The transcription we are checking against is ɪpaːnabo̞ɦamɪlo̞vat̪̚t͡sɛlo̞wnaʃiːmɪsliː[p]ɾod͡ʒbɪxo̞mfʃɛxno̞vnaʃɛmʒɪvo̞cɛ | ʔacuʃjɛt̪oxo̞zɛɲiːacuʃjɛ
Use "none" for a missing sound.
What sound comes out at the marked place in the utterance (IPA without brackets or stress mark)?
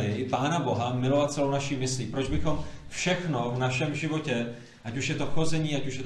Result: p